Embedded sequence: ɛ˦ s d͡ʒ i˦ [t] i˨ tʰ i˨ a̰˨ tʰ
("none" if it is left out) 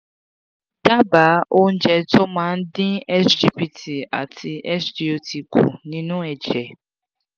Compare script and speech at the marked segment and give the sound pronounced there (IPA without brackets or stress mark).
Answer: p